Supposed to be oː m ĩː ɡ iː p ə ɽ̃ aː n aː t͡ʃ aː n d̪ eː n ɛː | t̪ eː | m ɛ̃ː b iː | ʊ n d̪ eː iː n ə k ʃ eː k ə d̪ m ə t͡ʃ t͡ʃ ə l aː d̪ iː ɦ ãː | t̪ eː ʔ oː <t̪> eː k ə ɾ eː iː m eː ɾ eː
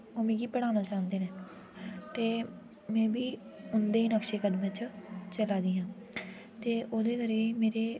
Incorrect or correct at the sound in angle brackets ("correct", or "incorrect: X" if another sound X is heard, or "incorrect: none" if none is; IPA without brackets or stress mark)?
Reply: incorrect: d̪